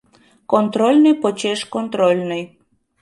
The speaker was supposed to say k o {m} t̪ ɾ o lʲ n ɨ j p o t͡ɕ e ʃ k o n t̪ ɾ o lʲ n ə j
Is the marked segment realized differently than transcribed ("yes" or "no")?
yes